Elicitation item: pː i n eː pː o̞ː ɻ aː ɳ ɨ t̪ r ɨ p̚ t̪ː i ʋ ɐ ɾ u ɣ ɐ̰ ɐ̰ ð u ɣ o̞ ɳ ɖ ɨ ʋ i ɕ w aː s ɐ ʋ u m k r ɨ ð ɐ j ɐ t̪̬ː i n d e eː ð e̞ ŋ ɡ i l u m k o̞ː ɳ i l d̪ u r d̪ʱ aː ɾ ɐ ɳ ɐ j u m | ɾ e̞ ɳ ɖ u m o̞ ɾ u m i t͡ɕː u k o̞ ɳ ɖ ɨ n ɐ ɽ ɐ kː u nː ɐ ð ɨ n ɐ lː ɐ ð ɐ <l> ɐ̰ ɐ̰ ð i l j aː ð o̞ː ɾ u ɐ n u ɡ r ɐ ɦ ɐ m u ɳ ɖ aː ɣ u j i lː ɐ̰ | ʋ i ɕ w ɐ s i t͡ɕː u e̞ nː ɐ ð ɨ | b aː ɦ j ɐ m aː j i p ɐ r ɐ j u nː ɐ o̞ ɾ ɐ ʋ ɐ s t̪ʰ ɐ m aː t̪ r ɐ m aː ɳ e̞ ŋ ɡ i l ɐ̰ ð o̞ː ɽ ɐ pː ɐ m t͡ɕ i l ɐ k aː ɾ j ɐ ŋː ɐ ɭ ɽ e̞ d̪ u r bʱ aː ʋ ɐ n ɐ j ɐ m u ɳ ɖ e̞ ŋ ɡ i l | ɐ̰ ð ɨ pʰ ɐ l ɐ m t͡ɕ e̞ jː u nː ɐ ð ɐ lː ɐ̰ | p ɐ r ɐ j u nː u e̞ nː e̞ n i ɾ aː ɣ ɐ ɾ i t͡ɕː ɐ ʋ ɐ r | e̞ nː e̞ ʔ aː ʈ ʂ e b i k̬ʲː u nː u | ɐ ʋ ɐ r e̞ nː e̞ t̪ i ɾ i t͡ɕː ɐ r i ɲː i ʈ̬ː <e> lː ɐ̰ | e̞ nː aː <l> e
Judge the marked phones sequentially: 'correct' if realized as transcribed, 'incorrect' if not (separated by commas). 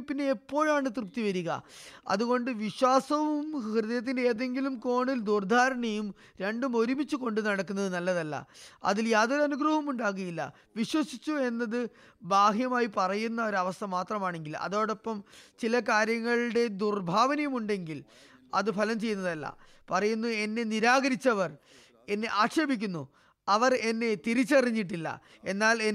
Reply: incorrect, incorrect, correct